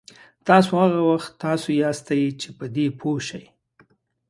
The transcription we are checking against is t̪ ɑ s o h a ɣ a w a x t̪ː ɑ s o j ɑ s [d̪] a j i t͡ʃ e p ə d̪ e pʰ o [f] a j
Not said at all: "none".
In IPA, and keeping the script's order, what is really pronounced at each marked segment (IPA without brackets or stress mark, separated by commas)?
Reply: t̪, ʃ